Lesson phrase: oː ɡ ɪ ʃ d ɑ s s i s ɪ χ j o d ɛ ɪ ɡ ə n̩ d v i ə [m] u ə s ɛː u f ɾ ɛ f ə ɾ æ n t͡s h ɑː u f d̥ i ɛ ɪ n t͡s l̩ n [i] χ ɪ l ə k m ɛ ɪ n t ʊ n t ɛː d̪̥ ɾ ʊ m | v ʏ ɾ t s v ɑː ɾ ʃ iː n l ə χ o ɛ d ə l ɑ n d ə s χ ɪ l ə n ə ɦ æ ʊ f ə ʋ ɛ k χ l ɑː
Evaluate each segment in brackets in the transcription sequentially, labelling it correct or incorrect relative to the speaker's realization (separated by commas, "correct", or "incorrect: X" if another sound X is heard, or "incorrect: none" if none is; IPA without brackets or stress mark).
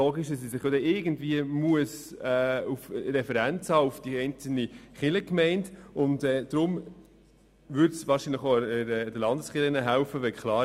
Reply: correct, correct